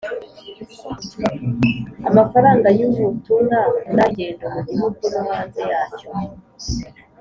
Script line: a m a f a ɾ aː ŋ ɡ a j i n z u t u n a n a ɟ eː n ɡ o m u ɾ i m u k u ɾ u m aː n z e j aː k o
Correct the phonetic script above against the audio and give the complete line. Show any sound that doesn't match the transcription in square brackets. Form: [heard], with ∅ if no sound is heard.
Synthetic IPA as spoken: a m a f a ɾ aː ŋ ɡ a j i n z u t u n a n a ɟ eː n [d] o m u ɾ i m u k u ɾ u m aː n z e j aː [c] o